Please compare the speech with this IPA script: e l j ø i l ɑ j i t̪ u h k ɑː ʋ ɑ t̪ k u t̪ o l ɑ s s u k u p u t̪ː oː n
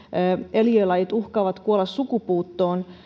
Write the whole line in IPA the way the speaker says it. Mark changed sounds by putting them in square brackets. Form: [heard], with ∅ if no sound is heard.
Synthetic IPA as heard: e l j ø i l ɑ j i t̪ u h k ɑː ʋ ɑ t̪ k u [∅] o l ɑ s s u k u p [uː] t̪ː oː n